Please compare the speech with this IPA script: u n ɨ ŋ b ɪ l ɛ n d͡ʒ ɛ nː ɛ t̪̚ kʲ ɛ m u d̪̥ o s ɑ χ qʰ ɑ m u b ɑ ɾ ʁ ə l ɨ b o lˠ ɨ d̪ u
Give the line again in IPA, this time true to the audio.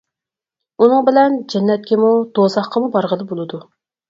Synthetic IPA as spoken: u n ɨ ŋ b ɪ l ɛ n d͡ʒ ɛ nː ɛ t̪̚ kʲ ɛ m u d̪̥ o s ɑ χ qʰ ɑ m u b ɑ ɾ ʁ ə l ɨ b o lˠ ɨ d̪ u